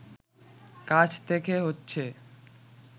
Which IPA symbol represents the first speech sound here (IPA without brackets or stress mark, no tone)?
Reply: k